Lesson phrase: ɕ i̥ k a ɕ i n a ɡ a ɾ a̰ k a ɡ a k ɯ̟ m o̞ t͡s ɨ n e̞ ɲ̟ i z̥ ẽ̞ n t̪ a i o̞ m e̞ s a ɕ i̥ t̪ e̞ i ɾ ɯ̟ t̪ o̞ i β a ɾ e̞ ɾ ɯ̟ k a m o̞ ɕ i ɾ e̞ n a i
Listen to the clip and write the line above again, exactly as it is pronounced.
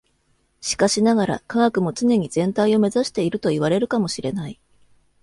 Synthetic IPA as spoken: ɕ i̥ k a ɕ i n a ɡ a ɾ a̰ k a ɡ a k ɯ̟ m o̞ t͡s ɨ n e̞ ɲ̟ i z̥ ẽ̞ n t̪ a i o̞ m e̞ z a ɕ i̥ t̪ e̞ i ɾ ɯ̟ t̪ o̞ i β a ɾ e̞ ɾ ɯ̟ k a m o̞ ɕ i ɾ e̞ n a i